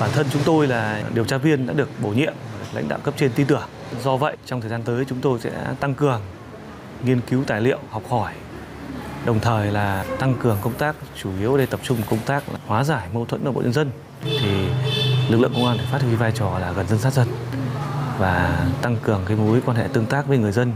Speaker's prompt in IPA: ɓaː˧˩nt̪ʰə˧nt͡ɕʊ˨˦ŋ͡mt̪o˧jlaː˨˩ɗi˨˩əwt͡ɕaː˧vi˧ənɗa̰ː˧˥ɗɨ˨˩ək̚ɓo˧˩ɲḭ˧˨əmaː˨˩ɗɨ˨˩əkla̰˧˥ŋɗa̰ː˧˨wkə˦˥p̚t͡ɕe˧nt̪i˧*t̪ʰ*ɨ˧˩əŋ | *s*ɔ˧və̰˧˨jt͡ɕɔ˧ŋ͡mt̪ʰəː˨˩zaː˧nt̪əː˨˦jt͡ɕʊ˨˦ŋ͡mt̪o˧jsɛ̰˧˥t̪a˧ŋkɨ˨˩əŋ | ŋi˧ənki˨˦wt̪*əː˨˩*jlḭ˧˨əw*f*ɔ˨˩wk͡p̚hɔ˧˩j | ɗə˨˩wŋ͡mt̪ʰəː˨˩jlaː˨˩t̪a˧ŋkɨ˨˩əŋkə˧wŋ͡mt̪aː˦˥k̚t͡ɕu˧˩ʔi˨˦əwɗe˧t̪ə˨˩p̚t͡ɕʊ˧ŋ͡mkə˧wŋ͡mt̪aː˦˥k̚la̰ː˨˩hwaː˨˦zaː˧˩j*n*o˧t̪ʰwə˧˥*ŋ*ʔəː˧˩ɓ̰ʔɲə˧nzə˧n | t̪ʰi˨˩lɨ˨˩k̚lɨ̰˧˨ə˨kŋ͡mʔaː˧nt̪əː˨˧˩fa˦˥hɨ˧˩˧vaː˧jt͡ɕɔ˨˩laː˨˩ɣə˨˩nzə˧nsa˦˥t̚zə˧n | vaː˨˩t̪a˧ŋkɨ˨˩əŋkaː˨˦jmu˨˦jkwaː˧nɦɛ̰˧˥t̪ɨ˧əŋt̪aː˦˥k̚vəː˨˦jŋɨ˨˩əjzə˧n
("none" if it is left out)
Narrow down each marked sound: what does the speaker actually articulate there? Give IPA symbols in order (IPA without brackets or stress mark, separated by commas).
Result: t̪, z, aː˨˩, h, m, n